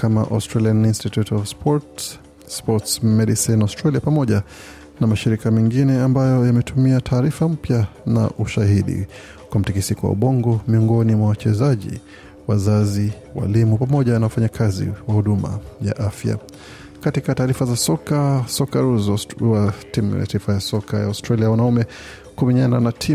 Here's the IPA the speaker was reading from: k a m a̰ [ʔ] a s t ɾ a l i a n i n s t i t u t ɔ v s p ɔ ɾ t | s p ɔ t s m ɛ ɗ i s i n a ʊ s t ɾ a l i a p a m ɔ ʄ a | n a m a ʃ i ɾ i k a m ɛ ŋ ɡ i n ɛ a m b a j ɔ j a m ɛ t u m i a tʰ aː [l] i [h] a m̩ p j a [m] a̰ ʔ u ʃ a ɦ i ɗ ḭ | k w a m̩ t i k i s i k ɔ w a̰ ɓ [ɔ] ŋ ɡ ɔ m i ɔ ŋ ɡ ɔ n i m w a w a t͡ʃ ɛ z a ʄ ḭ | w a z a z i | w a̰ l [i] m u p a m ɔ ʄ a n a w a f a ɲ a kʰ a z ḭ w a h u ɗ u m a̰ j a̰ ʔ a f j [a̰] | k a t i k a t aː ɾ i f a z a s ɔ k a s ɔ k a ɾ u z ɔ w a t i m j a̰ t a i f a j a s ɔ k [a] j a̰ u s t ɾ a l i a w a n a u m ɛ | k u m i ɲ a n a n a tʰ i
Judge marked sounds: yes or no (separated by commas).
yes, no, no, no, yes, yes, yes, yes